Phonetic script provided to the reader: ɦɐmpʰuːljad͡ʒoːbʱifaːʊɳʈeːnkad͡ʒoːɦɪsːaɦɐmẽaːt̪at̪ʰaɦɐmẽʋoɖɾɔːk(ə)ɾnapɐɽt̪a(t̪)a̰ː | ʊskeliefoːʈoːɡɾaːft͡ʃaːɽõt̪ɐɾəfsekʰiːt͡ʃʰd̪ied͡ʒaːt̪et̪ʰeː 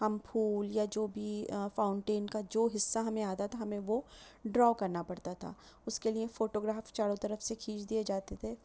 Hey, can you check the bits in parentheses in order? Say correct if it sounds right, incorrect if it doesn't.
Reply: incorrect: ɐ, incorrect: t̪ʰ

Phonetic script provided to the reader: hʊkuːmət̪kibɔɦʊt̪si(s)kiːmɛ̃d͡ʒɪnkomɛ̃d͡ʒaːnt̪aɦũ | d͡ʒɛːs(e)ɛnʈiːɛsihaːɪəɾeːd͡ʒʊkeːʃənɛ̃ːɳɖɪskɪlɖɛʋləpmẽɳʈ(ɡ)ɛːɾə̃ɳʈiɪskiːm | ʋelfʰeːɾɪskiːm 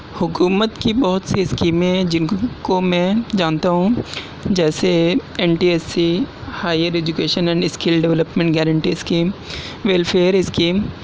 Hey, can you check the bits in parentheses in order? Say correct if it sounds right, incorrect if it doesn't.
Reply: correct, correct, correct

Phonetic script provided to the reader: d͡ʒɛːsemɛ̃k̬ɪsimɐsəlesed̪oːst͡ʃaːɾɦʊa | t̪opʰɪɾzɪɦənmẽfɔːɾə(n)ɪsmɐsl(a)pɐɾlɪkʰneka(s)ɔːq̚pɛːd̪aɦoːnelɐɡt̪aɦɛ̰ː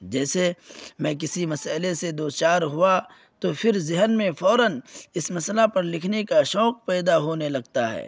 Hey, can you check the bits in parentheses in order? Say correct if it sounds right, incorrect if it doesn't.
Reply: correct, correct, incorrect: ʃ

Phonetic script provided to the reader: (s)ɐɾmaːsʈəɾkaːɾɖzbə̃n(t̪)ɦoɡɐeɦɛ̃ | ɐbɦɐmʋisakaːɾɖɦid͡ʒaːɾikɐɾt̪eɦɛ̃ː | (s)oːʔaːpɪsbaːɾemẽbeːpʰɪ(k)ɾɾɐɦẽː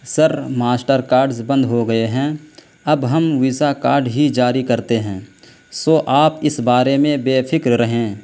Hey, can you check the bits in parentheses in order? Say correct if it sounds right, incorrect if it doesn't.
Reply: correct, incorrect: d̪, correct, correct

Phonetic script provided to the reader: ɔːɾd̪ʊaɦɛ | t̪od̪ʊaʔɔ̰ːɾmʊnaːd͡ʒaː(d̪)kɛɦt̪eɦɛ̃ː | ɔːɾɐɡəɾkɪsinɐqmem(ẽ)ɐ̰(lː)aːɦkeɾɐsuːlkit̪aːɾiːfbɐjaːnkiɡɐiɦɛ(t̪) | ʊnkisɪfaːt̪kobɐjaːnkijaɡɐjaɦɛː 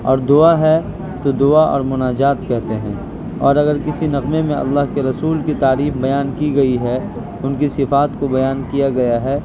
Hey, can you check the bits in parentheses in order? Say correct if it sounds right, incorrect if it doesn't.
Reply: incorrect: t̪, correct, correct, incorrect: none

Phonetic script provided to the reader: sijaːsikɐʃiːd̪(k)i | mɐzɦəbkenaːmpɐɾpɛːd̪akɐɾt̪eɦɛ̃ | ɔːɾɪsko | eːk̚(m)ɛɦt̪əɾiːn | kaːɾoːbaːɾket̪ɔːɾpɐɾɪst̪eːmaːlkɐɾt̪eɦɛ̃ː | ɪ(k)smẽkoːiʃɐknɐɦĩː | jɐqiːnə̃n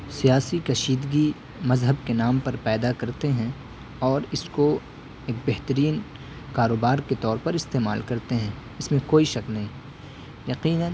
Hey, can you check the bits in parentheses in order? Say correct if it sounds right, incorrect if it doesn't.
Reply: incorrect: ɡ, incorrect: b, incorrect: none

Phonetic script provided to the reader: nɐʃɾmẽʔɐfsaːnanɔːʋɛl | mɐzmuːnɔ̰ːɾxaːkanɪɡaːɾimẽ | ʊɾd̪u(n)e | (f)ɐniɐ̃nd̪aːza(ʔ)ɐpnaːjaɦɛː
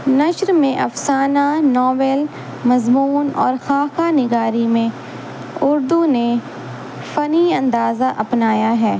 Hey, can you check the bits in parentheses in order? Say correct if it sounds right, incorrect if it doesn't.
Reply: correct, correct, correct

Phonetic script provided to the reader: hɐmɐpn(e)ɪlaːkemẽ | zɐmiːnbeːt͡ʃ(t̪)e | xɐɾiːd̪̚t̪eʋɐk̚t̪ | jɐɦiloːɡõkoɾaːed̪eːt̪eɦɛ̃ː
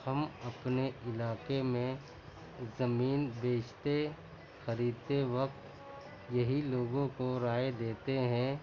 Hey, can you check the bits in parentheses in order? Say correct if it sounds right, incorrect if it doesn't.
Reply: correct, correct

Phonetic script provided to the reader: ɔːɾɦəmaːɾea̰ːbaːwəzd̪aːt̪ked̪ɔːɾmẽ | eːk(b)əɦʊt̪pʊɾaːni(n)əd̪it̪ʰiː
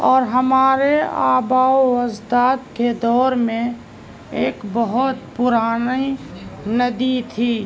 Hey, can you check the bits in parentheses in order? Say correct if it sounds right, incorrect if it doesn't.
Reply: correct, correct

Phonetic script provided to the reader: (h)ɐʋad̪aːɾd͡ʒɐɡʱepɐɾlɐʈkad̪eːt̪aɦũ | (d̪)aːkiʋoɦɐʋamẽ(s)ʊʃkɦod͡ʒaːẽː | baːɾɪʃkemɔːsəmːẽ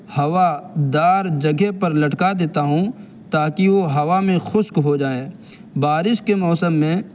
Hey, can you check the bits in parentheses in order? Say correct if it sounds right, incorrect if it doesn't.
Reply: correct, incorrect: t̪, incorrect: x

